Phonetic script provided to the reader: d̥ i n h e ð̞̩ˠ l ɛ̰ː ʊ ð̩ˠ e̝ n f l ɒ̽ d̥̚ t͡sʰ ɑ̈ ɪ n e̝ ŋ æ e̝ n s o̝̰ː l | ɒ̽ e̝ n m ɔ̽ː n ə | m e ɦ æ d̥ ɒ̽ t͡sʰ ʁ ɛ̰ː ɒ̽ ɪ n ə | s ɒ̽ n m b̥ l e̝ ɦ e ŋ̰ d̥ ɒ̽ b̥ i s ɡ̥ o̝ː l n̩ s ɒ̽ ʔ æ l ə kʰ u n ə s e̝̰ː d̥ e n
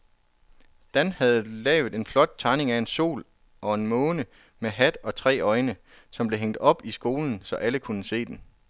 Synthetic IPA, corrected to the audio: d̥ æ n h æ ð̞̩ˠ l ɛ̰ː ʊ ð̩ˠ e̝ n f l ɒ̽ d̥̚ t͡sʰ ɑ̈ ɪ n e̝ ŋ æ e̝ n s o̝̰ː l | ɒ̽ e̝ n m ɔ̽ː n ə | m e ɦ æ d̥ ɒ̽ t͡sʰ ʁ ɛ̰ː ɒ̽ ɪ n ə | s ɒ̽ m b̥ l e̝ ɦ e ŋ̰ d̥ ɒ̽ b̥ i s ɡ̥ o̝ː l n̩ s ɒ̽ ʔ æ l ə kʰ u n ə s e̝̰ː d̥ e n